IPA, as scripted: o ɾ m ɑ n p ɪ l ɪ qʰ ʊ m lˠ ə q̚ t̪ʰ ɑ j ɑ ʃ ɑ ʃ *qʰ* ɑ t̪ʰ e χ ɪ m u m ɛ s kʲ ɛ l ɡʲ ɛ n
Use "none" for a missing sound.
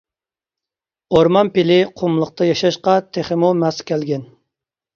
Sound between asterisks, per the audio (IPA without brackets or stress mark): q